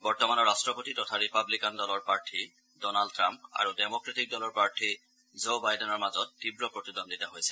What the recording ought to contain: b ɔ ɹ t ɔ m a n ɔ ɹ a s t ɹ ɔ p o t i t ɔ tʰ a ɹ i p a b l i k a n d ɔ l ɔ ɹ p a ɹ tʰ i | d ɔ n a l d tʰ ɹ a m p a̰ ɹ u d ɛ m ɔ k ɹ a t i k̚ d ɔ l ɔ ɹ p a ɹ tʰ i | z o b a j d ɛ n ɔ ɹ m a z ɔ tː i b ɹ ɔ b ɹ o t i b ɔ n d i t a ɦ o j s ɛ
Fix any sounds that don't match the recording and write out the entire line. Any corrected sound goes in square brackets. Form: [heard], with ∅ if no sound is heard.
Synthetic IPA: b ɔ ɹ t ɔ m a n ɔ ɹ a s t ɹ ɔ p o t i t ɔ tʰ a ɹ i p a b l i k a n d ɔ l ɔ ɹ p a ɹ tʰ i | d ɔ n a l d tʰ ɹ a m p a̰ ɹ u d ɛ m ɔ k ɹ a t i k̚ d ɔ l ɔ ɹ p a ɹ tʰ i | z o b a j d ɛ n ɔ ɹ m a z ɔ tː i b ɹ ɔ [p] ɹ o t i [d] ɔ n d i t a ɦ o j s ɛ